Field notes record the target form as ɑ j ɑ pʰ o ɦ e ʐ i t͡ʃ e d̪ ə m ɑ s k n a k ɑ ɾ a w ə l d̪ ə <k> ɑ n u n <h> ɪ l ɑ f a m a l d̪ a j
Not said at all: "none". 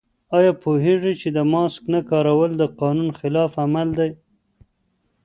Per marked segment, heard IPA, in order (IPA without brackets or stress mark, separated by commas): q, x